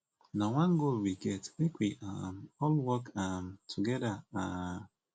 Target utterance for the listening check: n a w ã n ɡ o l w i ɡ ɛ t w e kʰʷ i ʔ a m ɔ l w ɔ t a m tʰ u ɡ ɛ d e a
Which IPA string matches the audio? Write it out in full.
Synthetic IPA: n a w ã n ɡ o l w i ɡ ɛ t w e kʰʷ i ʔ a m ɔ l w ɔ k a m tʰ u ɡ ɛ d a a